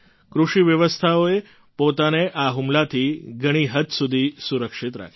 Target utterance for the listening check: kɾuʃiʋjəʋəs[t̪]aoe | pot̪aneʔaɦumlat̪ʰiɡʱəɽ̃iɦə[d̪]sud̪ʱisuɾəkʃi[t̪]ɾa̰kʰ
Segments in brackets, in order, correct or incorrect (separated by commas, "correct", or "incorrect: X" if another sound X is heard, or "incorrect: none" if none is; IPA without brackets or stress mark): incorrect: t̪ʰ, incorrect: t̪, correct